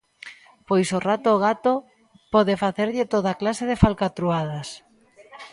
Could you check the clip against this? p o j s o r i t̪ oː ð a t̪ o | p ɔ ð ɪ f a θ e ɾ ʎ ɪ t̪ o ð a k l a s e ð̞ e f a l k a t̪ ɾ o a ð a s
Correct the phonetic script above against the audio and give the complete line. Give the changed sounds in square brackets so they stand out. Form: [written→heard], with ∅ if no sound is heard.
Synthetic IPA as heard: p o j s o r [i→a] t̪ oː [ð→ɣ] a t̪ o | p ɔ ð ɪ f a θ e ɾ ʎ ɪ t̪ o ð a k l a s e ð̞ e f a l k a t̪ ɾ [o→u] a ð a s